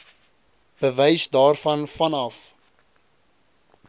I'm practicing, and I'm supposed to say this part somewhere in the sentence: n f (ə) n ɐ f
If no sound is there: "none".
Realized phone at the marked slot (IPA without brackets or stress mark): ɐ